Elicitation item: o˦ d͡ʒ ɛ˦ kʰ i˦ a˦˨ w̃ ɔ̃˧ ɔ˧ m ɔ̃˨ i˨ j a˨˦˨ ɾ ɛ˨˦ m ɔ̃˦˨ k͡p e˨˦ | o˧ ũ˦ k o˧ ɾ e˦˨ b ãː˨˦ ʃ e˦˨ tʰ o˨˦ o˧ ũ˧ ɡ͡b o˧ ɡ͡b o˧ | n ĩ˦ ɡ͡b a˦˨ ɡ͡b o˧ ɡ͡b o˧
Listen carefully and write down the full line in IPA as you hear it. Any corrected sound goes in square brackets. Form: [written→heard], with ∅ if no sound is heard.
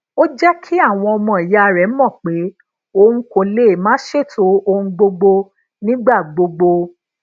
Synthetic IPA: o˦ d͡ʒ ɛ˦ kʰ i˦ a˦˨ w̃ ɔ̃˧ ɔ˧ m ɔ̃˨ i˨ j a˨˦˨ ɾ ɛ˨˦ m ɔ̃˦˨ k͡p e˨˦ | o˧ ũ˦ k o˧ [ɾ→l] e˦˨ [b→m] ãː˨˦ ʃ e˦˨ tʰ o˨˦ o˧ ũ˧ ɡ͡b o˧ ɡ͡b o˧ | n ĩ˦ ɡ͡b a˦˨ ɡ͡b o˧ ɡ͡b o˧